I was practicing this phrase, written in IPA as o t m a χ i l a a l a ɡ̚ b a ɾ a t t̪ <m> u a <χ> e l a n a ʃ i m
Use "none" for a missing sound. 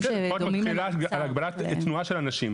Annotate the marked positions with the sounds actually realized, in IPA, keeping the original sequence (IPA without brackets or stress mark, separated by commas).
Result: n, ʃ